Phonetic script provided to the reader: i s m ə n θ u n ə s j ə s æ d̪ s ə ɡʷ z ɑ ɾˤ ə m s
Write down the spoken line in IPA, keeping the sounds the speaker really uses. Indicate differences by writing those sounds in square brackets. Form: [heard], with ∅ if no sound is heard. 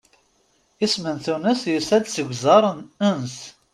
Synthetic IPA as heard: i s m ə n θ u n ə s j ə s æ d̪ s ə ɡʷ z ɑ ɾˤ ə [n] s